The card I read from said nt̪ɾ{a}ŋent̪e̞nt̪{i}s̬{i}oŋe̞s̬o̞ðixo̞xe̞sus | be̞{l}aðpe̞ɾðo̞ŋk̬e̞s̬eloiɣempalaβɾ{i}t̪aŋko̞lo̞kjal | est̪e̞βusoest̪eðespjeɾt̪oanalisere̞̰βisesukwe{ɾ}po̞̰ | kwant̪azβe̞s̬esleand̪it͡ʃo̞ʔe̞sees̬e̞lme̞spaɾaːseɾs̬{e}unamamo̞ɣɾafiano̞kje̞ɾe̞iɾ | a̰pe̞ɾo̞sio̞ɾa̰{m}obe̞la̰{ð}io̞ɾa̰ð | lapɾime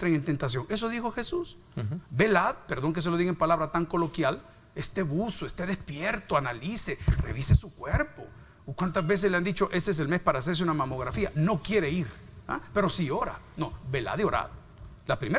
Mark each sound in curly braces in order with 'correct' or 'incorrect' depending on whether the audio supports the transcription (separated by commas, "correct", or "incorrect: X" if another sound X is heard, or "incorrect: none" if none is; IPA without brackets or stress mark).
incorrect: e, incorrect: a, incorrect: j, correct, incorrect: a, correct, correct, incorrect: n, correct